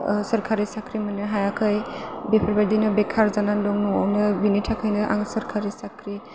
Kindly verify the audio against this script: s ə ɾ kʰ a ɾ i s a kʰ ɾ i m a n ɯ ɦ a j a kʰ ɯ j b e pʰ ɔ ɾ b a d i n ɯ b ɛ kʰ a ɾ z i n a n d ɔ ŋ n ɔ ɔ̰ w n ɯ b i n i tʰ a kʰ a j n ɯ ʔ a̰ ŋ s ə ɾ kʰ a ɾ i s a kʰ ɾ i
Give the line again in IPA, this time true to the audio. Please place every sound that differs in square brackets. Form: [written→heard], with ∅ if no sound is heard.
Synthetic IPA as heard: s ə ɾ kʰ a ɾ i s a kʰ ɾ i m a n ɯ ɦ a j a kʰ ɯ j b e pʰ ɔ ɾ b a d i n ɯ b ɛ kʰ a ɾ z [i→a] n a n d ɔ ŋ n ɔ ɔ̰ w n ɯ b i n i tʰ a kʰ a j n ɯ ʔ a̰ ŋ s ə ɾ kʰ a ɾ i s a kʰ ɾ i